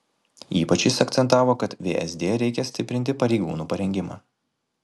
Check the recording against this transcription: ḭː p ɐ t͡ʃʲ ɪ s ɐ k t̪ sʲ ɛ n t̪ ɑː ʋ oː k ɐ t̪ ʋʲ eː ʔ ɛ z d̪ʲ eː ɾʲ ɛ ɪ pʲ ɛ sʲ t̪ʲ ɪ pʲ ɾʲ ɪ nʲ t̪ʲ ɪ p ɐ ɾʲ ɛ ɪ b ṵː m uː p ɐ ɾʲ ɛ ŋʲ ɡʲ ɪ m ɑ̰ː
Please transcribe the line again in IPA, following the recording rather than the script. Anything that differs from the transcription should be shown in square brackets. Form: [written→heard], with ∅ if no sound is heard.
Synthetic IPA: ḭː p ɐ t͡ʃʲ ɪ s ɐ k t̪ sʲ ɛ n t̪ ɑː ʋ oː k ɐ t̪ ʋʲ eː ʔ ɛ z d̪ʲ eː ɾʲ ɛ ɪ [pʲ→kʲ] ɛ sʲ t̪ʲ ɪ pʲ ɾʲ ɪ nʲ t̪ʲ ɪ p ɐ ɾʲ ɛ ɪ [b→ɡ] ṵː [m→n] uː p ɐ ɾʲ ɛ ŋʲ ɡʲ ɪ m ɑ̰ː